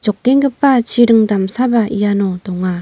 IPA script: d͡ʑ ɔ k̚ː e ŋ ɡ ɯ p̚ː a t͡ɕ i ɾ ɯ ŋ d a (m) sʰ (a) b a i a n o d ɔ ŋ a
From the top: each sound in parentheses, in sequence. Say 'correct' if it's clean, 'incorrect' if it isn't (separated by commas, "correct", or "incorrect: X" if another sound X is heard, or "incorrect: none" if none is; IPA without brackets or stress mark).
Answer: correct, correct